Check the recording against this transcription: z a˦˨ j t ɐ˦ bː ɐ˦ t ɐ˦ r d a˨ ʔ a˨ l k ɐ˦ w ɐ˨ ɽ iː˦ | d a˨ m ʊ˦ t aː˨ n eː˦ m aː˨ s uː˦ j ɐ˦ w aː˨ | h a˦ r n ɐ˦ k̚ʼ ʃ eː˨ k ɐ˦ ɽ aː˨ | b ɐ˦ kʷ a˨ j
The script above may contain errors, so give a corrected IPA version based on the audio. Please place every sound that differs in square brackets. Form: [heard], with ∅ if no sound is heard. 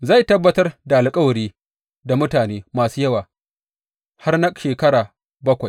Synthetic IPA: z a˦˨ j t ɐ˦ bː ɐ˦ t ɐ˦ r d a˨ ʔ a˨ l [kʼ] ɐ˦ w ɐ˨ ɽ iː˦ | d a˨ m ʊ˦ t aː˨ n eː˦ m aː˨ s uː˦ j ɐ˦ w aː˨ | h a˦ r n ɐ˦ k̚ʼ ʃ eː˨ k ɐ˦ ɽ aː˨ | b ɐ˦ kʷ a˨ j